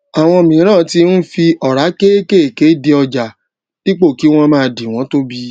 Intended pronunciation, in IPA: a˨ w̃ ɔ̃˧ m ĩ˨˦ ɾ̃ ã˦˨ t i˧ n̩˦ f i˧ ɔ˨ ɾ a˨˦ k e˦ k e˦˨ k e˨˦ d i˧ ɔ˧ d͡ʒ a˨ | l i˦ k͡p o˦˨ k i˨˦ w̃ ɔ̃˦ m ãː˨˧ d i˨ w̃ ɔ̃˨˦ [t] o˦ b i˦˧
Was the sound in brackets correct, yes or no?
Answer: yes